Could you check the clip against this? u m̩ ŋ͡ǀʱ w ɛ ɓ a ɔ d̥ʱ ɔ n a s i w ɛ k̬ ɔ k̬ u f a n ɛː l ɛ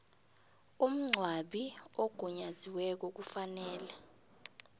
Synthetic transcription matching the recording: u m̩ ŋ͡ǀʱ w a ɓ i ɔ ɡ̥ʱ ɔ ɲ a z i w ɛ k̬ ɔ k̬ u f a n ɛː l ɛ